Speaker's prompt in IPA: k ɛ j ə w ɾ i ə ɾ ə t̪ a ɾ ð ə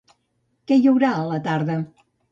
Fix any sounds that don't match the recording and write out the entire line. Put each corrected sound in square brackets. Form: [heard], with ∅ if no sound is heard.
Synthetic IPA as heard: k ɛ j ə w ɾ [a] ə [l] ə t̪ a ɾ ð ə